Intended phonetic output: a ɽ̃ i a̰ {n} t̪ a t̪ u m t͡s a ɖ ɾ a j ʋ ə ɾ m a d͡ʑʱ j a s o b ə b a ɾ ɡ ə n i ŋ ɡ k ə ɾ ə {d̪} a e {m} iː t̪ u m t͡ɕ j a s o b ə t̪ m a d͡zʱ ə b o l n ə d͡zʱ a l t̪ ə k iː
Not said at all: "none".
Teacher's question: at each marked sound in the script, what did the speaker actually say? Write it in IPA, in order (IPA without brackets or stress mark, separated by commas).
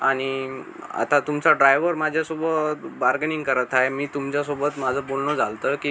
none, t̪, m